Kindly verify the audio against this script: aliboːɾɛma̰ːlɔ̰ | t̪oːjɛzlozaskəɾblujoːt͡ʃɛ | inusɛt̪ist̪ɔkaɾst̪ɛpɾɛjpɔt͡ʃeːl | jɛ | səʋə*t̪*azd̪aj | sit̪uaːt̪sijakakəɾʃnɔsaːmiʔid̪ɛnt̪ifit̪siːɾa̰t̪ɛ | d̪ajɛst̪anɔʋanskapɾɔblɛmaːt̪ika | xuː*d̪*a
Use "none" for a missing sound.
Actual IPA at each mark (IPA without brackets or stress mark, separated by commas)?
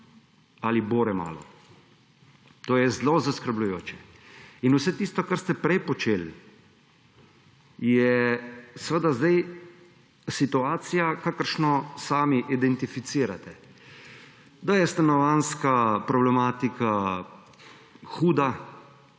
d̪, d̪